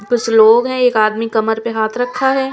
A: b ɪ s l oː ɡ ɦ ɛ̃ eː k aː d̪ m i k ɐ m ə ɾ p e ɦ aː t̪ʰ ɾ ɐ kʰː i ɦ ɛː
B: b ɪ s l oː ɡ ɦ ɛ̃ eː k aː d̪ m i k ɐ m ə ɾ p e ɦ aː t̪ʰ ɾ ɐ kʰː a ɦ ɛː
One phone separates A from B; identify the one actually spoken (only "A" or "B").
B